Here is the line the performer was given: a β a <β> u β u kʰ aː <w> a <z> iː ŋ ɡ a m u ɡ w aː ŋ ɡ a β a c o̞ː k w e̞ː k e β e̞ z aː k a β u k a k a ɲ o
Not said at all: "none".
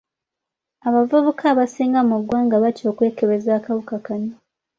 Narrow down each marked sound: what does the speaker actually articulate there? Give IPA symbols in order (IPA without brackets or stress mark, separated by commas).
v, β, s